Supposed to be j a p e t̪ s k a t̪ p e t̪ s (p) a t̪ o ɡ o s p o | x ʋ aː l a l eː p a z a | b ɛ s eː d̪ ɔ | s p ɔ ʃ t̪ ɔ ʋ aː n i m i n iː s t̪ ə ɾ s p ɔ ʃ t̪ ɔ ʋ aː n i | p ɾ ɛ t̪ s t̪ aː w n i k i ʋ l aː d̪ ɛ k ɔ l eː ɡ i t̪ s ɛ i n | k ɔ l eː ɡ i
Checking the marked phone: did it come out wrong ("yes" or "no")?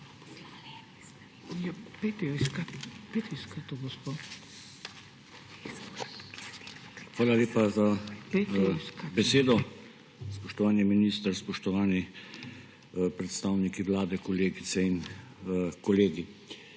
yes